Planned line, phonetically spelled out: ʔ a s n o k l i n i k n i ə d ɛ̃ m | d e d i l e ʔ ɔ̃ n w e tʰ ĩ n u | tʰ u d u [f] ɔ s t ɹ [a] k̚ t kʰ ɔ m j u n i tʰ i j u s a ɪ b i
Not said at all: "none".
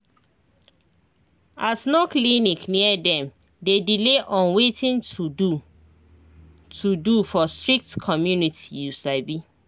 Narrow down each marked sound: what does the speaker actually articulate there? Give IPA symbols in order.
f, i

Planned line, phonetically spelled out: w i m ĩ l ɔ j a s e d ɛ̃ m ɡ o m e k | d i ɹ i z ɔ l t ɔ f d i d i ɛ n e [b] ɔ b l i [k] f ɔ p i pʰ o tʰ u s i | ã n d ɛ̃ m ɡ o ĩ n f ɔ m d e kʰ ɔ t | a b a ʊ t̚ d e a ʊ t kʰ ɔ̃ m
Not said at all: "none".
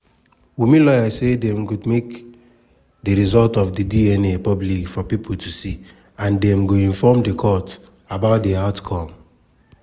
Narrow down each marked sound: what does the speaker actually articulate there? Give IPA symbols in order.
p, k

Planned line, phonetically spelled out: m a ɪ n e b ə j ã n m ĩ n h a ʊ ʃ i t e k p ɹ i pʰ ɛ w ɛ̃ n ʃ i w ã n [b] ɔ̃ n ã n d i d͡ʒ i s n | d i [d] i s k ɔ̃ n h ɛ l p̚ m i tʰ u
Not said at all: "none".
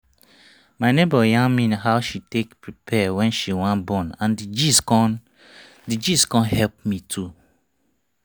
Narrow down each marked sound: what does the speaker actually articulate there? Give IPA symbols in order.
b, d͡ʒ

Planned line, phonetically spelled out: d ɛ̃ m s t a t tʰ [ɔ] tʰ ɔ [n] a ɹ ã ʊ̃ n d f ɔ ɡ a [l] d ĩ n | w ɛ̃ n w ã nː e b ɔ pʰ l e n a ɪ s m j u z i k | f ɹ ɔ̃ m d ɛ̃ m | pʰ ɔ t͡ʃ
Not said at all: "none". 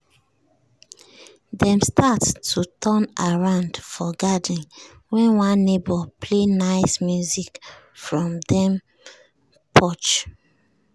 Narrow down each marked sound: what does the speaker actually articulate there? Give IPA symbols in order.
u, n, none

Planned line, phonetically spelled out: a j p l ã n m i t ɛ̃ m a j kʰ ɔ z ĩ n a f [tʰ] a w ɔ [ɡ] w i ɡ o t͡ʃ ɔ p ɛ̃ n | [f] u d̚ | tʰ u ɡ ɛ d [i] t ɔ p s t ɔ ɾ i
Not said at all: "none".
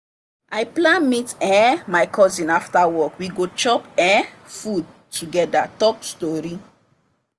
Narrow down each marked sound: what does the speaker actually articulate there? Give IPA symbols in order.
t, k, f, a

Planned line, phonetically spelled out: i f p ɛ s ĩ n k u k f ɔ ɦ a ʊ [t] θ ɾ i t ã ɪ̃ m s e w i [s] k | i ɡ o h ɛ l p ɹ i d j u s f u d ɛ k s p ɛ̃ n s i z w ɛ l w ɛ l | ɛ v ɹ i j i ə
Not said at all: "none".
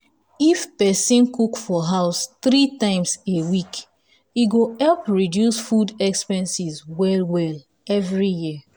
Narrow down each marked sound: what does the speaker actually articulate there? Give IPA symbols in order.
s, none

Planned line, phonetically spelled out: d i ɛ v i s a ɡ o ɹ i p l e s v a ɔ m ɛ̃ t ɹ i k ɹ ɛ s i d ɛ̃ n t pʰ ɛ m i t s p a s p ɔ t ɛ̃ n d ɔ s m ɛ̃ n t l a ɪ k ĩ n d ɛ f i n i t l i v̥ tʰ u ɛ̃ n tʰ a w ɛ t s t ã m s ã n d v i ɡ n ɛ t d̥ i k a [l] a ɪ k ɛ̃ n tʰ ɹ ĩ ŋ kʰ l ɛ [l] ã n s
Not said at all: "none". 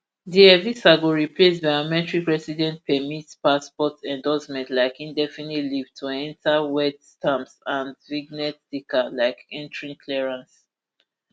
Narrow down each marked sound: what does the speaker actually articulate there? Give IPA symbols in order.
l, ɹ

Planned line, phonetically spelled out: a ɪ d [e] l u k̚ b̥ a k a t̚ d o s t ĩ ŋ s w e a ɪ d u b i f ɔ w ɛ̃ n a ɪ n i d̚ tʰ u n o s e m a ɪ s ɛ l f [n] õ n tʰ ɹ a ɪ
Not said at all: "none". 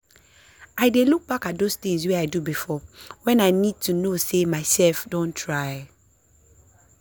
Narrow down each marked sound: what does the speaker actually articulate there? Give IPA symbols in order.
e, d

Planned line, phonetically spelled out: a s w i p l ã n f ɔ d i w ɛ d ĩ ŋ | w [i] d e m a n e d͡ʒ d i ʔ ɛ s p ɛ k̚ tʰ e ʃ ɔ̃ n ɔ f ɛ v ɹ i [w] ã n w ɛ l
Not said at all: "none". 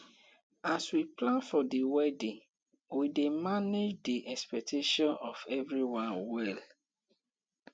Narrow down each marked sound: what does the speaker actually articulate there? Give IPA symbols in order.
i, w

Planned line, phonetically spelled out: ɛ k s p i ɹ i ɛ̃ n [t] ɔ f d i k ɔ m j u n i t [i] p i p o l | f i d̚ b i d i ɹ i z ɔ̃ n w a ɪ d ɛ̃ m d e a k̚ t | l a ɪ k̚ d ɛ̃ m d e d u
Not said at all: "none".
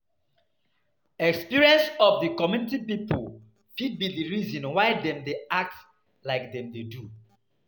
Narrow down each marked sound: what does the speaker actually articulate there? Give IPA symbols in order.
s, i

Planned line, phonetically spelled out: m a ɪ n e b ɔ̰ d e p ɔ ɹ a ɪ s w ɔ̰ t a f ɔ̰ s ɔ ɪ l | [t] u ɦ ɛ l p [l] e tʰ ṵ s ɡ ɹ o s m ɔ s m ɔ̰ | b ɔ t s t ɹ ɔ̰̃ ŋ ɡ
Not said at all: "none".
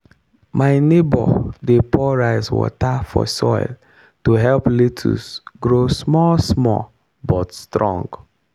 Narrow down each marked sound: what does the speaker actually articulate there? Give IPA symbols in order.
t, l

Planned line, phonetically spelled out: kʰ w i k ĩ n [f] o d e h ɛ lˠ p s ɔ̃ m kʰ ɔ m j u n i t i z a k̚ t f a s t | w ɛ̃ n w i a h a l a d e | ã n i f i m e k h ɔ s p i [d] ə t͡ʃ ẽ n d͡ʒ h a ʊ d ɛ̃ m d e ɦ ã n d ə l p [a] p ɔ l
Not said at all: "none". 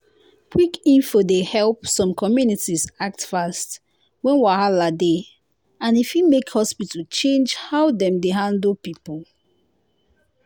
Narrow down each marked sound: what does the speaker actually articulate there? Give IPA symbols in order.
f, t, i

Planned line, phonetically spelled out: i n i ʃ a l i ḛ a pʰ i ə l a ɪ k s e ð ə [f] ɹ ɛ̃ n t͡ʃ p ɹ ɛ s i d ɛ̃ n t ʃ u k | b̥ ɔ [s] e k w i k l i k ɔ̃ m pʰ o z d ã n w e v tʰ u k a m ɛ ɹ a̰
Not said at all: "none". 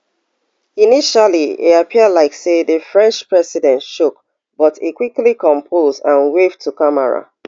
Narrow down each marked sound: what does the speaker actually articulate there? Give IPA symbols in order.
f, t

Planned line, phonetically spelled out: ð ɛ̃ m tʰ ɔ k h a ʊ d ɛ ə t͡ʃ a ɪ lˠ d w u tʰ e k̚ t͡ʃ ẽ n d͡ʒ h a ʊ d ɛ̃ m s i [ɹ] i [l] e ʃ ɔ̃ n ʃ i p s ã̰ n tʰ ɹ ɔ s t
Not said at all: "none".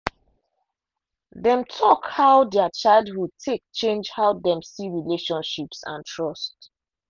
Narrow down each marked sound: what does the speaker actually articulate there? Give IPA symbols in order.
ɹ, l

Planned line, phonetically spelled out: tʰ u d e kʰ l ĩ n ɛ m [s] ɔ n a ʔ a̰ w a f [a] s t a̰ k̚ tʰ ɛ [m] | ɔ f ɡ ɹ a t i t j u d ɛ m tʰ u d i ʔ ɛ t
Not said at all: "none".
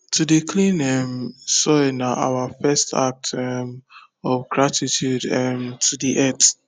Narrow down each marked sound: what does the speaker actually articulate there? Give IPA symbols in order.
s, ɛ, m

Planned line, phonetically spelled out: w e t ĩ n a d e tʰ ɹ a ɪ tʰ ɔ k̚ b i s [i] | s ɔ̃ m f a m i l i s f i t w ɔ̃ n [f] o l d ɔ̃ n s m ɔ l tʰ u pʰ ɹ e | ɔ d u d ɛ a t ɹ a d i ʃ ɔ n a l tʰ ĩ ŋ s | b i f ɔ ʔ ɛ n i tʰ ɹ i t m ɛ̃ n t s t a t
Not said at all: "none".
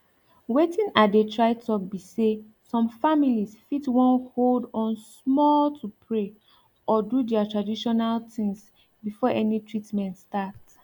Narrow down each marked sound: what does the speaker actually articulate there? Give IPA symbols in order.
e, h

